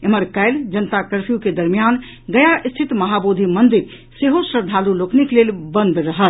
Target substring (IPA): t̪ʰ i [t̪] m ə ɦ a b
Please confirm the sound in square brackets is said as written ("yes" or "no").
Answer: yes